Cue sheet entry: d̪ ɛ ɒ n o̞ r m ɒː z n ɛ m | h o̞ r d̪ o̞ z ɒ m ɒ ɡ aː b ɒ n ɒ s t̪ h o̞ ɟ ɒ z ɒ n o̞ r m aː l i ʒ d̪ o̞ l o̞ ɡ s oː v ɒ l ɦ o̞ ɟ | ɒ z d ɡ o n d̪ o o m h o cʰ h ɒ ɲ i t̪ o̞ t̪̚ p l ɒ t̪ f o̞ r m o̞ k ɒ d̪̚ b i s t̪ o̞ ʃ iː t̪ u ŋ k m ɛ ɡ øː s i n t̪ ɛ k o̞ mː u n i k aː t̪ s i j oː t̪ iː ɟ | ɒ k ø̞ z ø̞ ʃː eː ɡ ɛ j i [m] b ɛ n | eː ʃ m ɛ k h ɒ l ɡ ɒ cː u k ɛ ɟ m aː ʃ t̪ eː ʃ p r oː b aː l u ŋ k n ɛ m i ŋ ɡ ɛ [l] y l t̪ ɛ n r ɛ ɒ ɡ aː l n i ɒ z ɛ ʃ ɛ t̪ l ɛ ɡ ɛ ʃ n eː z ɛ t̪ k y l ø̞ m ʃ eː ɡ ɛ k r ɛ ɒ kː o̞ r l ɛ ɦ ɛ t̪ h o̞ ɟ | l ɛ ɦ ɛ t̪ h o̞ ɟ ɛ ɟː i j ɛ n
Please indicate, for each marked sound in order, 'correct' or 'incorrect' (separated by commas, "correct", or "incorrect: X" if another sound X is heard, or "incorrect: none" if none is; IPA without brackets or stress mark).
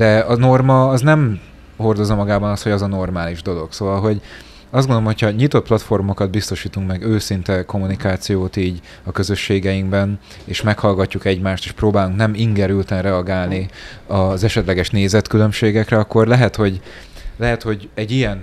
incorrect: ŋ, incorrect: ɾ